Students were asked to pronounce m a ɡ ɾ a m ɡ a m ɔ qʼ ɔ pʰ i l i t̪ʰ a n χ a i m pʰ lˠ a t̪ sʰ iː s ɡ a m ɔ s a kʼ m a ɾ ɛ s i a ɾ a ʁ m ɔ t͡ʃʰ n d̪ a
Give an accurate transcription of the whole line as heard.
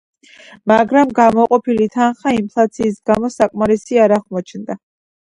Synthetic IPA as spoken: m a ɡ ɾ a m ɡ a m ɔ qʼ ɔ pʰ i l i t̪ʰ a n χ a i m pʰ lˠ a t̪ sʰ iː s ɡ a m ɔ s a kʼ m a ɾ ɛ s i a ɾ a ʁ m ɔ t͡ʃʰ n d̪ a